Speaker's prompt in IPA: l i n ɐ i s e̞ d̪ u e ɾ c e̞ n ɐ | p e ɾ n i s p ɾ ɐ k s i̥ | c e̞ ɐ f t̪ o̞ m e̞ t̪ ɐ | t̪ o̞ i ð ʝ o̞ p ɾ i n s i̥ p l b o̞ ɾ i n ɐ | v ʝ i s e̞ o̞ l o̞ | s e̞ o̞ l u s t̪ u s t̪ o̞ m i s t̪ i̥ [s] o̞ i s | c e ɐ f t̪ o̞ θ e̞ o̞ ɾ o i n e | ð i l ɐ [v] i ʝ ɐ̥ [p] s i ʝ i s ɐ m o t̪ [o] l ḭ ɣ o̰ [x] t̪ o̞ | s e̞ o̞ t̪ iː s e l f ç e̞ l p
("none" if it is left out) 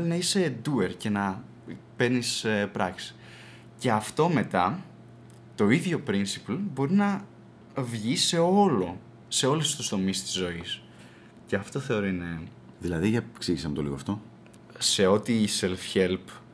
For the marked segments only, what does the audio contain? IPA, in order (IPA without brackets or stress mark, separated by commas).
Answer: z, ð, k, o, f